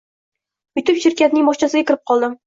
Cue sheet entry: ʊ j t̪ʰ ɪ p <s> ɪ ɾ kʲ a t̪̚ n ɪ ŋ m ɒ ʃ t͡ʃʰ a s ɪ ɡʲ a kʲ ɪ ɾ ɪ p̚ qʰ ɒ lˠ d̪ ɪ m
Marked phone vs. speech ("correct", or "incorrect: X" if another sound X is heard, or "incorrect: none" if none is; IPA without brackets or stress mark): incorrect: ʃ